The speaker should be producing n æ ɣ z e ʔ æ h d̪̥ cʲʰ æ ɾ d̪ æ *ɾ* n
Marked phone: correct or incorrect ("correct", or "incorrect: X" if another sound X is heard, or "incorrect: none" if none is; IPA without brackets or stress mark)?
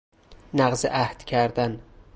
incorrect: none